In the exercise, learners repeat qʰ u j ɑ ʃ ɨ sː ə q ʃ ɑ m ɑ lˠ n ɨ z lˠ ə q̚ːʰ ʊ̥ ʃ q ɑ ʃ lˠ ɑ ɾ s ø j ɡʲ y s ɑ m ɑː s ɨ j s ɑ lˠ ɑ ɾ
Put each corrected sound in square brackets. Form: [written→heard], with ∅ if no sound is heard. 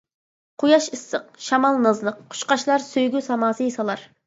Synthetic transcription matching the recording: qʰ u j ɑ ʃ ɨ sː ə q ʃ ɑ m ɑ lˠ n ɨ z lˠ ə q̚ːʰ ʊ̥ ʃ q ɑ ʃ lˠ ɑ ɾ s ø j ɡʲ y s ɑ m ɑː s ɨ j s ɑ lˠ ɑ ɾ

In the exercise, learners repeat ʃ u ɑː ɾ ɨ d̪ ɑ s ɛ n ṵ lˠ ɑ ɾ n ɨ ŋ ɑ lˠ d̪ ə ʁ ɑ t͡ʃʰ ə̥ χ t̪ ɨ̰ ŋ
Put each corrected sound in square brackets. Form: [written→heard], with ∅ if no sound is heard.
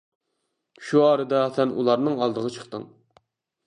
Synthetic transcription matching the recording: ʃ u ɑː ɾ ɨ d̪ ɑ s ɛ n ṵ lˠ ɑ ɾ n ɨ ŋ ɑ lˠ d̪ ə ʁ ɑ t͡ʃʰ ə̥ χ t̪ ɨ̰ ŋ

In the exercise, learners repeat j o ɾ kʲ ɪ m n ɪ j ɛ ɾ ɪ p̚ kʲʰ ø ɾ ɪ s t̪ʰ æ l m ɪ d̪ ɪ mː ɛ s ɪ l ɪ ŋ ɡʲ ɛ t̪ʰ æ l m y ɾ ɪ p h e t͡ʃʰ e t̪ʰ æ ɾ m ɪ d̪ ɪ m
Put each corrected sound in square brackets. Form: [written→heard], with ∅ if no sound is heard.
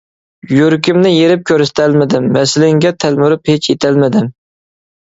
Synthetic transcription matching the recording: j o ɾ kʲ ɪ m n ɪ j [ɛ→e] ɾ ɪ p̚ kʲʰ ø ɾ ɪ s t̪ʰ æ l m ɪ d̪ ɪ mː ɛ s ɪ l ɪ ŋ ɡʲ ɛ t̪ʰ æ l m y ɾ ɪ p h e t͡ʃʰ e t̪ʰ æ [ɾ→l] m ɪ d̪ ɪ m

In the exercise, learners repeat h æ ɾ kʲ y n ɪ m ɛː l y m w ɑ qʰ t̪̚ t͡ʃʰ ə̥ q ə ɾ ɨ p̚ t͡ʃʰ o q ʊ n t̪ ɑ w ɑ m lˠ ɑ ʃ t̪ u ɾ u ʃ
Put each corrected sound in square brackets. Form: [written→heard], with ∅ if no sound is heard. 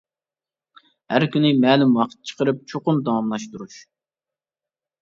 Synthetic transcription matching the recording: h æ ɾ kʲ y n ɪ m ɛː l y m w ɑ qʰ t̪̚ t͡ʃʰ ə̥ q ə ɾ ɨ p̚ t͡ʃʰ o q ʊ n [t̪→d̪] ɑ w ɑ m lˠ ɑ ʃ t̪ u ɾ u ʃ

